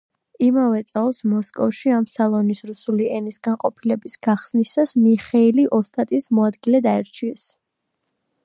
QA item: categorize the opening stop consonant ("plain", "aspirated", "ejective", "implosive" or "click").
plain